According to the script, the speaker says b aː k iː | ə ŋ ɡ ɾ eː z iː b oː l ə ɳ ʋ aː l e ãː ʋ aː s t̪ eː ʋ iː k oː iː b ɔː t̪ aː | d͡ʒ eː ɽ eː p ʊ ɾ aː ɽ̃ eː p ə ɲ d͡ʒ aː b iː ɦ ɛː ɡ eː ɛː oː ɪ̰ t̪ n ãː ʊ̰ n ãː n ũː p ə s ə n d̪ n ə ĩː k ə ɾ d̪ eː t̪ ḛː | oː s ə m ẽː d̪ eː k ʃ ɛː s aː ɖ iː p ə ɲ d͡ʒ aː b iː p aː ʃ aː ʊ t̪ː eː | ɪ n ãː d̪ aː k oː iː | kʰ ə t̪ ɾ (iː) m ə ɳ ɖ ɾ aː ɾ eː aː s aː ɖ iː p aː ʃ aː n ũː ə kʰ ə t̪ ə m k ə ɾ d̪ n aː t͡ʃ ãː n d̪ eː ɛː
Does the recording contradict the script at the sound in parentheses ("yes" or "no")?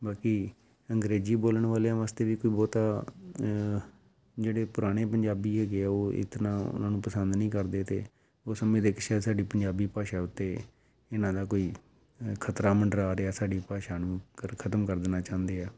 yes